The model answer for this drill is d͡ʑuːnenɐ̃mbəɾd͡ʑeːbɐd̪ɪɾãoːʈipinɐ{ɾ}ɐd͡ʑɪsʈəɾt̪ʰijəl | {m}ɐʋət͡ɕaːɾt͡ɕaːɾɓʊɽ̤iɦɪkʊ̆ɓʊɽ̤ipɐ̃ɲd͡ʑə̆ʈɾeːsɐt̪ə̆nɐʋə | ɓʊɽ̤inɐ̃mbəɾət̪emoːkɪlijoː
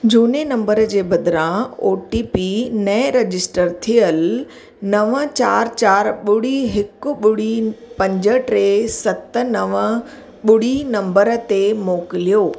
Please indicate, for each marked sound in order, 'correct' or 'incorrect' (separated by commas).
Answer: correct, incorrect